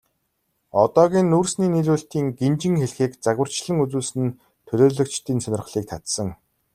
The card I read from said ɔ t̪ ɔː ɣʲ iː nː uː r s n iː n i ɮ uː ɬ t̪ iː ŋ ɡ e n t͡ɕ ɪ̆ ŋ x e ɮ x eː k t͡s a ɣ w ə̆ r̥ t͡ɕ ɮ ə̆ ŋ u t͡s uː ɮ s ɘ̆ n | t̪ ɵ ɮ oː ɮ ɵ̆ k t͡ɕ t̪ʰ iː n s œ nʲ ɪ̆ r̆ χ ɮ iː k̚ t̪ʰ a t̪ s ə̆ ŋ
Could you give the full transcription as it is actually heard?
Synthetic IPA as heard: ɔ t̪ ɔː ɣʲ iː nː uː r s n iː n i ɮ uː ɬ t̪ iː ŋ ɡ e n t͡ɕ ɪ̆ ŋ x e ɮ x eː k t͡s a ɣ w ə̆ r̥ t͡ɕ ɮ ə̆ ŋ u t͡s uː ɮ s ɘ̆ n | t̪ʰ ɵ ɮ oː ɮ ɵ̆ k t͡ɕ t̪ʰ iː n s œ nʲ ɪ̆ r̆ χ ɮ iː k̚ t̪ʰ a t̪ s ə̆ ŋ